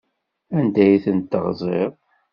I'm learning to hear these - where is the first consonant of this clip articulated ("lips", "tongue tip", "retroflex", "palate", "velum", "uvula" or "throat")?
tongue tip